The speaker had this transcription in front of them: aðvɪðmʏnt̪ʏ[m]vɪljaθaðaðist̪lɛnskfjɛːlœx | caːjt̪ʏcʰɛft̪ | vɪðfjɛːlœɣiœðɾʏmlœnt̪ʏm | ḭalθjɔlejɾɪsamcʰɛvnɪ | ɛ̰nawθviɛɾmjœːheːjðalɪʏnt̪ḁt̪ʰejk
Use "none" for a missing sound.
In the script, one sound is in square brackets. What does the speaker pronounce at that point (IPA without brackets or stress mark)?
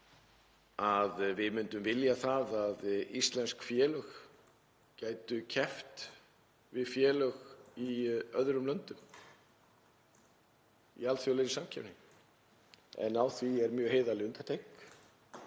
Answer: m